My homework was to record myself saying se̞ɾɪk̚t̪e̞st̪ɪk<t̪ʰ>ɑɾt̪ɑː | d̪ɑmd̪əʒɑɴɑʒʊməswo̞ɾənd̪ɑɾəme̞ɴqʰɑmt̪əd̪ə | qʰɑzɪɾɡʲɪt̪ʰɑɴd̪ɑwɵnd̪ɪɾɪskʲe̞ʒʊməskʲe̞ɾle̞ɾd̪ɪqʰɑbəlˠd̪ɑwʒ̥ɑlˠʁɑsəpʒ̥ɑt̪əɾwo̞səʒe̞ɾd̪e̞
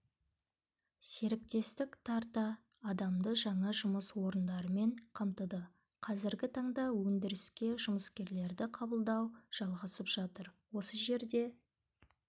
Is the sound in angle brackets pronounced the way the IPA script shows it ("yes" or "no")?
yes